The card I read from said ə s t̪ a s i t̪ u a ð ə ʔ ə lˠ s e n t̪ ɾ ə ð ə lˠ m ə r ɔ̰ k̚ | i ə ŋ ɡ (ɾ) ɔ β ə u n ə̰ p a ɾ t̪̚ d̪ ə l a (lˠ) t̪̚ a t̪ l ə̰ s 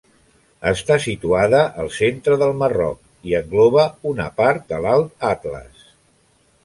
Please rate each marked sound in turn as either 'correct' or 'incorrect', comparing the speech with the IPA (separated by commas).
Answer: incorrect, correct